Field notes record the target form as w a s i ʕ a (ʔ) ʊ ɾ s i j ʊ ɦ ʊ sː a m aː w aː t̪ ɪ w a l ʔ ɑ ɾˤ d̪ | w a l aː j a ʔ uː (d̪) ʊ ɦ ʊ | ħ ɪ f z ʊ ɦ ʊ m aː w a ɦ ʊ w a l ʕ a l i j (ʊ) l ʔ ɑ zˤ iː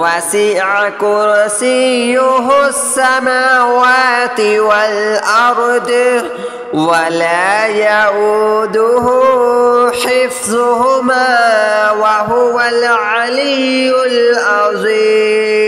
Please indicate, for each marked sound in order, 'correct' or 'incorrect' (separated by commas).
incorrect, correct, correct